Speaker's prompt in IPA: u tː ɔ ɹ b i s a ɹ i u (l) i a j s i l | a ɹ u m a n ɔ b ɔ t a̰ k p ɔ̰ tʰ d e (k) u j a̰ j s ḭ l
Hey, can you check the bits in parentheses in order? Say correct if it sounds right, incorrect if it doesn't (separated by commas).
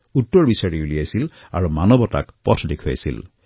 correct, incorrect